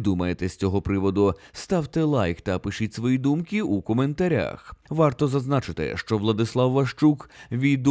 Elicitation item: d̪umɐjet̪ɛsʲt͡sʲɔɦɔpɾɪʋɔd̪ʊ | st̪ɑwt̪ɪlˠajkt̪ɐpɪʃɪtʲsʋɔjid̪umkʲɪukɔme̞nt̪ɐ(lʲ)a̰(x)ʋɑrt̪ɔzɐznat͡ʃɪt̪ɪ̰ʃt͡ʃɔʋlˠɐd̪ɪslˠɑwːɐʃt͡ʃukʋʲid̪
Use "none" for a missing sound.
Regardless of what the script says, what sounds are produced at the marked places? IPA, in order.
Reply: ɾʲ, x

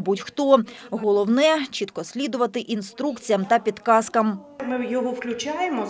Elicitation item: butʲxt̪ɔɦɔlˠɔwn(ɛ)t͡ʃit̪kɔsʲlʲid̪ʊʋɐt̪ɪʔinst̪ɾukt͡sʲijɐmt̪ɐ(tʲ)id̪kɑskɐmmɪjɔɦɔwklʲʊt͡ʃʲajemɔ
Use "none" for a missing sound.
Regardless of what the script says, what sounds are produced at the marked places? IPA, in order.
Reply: ɛ, pʲ

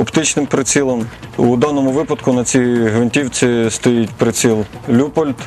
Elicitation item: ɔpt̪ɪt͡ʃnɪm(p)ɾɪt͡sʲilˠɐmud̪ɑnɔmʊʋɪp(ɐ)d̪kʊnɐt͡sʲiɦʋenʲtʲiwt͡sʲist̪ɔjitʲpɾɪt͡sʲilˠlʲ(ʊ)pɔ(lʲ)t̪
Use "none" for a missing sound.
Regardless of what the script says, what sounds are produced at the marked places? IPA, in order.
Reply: p, ɐ, u, lʲ

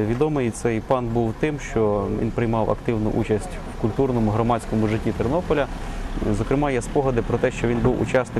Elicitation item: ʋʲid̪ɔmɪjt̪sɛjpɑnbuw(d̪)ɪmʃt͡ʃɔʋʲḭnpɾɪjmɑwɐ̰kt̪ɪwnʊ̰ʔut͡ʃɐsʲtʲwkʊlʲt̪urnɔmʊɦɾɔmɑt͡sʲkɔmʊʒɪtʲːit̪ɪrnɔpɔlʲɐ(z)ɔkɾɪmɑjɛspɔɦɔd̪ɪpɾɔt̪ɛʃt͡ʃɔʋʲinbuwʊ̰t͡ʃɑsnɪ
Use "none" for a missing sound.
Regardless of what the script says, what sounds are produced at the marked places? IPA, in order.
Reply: t̪, z

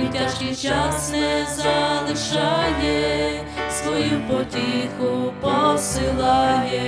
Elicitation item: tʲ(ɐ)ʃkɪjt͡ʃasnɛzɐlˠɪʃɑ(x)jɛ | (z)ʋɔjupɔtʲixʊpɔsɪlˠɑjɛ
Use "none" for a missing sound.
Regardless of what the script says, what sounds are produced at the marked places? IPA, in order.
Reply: a, none, s

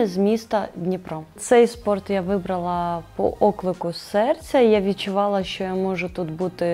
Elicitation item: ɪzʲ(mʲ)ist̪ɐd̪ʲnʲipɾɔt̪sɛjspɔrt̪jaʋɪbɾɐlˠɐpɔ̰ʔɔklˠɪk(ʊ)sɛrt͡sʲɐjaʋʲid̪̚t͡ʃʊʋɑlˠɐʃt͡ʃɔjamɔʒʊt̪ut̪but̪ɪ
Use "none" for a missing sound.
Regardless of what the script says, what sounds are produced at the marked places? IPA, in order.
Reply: mʲ, ʊ

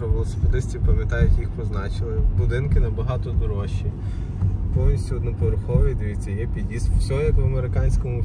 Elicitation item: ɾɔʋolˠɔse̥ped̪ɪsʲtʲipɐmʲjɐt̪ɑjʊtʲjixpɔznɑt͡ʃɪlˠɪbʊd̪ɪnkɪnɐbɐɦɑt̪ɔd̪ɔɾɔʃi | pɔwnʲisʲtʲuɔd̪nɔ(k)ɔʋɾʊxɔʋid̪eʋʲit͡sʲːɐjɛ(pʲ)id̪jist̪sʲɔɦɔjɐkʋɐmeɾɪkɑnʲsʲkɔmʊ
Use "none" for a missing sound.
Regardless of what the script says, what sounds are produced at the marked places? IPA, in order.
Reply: p, pʲ

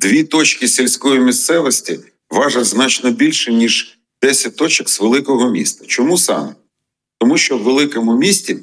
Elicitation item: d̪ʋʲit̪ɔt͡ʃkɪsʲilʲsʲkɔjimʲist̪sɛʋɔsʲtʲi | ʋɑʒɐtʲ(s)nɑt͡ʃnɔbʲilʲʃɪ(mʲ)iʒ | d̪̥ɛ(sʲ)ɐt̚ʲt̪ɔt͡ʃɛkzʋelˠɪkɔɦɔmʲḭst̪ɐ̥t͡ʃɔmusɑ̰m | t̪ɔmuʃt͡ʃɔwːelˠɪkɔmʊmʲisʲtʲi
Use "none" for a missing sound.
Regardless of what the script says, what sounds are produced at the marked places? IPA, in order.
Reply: z, nʲ, sʲ

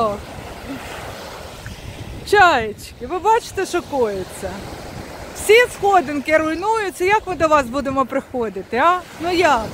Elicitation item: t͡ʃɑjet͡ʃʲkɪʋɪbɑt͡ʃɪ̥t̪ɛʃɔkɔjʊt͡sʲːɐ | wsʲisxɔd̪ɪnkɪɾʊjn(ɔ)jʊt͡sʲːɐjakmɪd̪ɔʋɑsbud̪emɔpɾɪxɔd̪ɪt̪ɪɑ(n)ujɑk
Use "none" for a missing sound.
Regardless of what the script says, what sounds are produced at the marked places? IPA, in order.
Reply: u, n

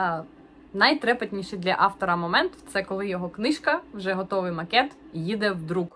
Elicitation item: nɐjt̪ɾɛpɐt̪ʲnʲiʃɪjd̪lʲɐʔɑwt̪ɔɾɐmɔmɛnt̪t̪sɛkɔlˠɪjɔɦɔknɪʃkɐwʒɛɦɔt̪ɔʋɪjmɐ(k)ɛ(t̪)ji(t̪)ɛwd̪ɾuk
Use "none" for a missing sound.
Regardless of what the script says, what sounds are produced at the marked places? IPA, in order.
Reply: k, t̪, d̪

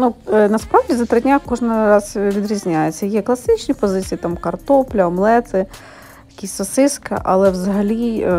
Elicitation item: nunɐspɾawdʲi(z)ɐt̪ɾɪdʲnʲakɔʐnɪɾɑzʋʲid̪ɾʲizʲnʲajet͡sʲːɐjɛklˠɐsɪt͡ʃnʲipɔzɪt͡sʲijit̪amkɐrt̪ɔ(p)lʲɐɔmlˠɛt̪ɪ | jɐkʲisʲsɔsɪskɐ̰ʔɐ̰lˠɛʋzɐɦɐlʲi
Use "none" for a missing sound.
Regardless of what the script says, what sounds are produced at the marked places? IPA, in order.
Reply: z, p

